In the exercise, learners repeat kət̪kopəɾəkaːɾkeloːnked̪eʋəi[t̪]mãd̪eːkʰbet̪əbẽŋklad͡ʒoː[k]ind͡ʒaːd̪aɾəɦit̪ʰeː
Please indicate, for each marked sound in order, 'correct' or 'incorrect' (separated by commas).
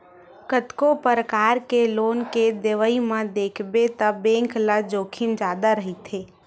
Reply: incorrect, incorrect